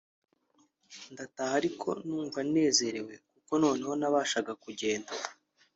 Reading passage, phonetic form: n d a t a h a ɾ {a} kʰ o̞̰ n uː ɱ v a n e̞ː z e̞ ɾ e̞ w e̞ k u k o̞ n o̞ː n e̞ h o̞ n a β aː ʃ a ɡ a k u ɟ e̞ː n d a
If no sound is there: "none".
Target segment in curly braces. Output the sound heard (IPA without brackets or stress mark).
i